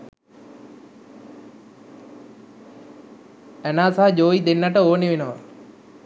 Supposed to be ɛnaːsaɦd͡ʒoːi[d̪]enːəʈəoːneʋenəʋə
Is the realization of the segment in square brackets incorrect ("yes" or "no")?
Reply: no